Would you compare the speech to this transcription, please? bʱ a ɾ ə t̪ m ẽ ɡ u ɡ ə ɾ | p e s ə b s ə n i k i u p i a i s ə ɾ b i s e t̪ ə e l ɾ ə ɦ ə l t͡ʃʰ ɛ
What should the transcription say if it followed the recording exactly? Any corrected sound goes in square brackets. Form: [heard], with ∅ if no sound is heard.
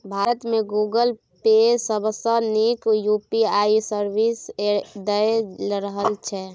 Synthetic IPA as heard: bʱ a ɾ ə t̪ m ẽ ɡ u ɡ ə [l] | p e s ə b s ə n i k [j] u p i a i s ə ɾ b i s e [d̪] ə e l ɾ ə ɦ ə l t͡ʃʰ ɛ